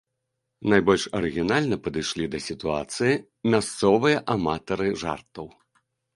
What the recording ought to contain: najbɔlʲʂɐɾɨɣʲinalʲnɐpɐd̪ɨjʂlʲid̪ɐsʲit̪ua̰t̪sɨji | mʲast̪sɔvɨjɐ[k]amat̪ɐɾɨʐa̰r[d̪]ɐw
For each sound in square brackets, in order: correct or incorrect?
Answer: incorrect, incorrect

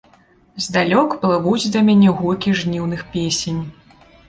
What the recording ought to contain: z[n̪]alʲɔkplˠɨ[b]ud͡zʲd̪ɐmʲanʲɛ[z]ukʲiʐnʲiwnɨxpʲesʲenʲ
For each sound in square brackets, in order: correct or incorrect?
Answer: incorrect, incorrect, incorrect

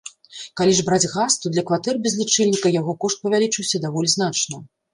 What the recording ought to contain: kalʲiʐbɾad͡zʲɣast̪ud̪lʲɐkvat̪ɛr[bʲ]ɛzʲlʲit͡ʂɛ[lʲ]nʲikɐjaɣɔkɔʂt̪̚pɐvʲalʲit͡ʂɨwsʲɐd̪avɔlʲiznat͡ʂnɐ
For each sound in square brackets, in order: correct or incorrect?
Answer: correct, correct

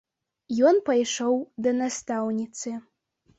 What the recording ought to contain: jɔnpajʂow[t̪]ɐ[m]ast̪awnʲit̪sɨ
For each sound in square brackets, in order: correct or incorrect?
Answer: incorrect, incorrect

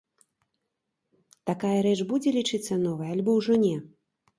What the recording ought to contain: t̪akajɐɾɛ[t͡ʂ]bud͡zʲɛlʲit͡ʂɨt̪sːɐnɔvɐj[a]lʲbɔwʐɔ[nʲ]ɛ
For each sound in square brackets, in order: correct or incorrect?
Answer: correct, correct, correct

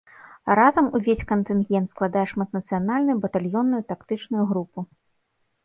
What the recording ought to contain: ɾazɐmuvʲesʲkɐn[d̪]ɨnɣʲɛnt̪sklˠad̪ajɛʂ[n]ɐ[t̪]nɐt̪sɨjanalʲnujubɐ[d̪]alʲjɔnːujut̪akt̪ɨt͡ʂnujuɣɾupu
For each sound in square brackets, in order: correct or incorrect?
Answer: incorrect, incorrect, correct, incorrect

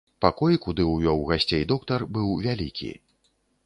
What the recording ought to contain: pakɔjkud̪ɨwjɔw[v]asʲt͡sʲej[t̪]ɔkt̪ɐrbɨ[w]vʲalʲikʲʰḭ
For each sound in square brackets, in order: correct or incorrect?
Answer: incorrect, incorrect, correct

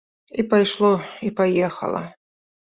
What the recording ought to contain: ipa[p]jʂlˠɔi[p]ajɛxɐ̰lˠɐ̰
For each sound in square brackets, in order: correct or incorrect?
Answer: incorrect, correct

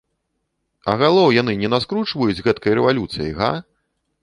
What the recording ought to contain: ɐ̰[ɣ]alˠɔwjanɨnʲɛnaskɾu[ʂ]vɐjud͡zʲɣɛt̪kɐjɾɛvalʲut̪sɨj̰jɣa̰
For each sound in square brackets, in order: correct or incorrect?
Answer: correct, incorrect

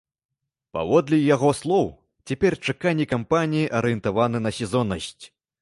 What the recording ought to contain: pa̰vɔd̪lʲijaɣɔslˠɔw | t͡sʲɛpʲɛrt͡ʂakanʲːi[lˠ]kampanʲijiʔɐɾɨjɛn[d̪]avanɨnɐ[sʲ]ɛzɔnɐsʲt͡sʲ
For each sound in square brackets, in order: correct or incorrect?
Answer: incorrect, incorrect, correct

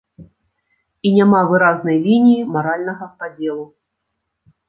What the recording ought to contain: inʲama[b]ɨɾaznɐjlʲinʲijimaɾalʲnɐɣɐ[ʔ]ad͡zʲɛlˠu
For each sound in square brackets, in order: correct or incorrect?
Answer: incorrect, incorrect

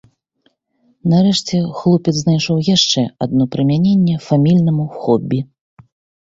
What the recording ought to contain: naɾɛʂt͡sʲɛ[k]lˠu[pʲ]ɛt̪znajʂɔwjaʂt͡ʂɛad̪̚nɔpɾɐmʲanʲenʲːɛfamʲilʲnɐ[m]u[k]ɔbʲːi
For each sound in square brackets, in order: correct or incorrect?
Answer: incorrect, correct, correct, incorrect

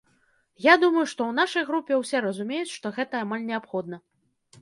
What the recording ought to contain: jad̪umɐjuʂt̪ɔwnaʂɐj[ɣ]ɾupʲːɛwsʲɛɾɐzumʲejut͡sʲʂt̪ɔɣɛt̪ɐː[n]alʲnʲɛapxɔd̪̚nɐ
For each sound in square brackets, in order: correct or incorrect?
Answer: correct, incorrect

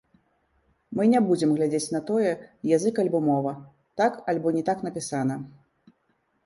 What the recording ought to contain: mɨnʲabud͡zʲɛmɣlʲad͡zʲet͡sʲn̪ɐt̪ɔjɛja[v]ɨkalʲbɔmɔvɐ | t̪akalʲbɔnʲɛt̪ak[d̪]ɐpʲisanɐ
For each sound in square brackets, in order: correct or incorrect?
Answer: incorrect, incorrect

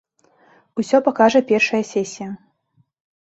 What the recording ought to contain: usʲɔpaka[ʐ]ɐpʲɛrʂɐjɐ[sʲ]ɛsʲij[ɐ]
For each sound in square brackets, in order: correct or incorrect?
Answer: correct, correct, correct

